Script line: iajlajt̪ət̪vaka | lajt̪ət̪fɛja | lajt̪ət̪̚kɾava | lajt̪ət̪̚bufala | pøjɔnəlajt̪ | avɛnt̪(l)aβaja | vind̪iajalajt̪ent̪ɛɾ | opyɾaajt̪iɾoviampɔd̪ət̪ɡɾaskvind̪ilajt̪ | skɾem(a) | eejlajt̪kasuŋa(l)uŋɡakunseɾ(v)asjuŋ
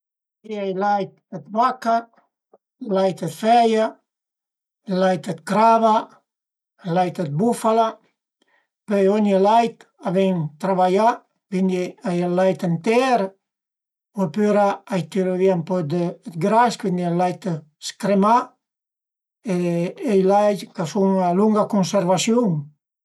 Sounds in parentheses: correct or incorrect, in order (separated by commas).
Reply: incorrect, correct, correct, correct